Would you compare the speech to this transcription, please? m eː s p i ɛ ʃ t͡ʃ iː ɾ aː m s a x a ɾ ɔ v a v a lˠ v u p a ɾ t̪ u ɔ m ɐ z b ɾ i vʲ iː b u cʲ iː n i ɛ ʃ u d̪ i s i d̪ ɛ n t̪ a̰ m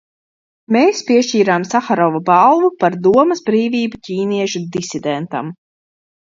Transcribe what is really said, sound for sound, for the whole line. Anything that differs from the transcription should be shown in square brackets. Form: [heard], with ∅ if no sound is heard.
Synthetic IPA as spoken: m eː s p i ɛ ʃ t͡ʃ iː ɾ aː m s a x a ɾ ɔ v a [b] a lˠ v u p a ɾ [d̪] u ɔ m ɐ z b ɾ [iː] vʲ iː b u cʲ iː n i ɛ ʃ u d̪ i s i d̪ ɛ n t̪ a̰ m